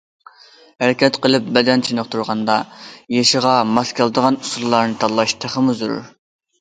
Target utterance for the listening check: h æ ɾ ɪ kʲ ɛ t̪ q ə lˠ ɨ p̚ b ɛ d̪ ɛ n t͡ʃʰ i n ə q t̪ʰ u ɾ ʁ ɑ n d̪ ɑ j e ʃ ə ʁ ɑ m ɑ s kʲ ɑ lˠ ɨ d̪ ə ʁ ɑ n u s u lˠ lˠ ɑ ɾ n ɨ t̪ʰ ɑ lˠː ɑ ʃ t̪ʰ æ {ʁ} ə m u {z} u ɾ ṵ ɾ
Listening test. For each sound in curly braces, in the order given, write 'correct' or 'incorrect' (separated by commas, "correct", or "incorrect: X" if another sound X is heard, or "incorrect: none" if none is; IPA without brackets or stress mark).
incorrect: χ, correct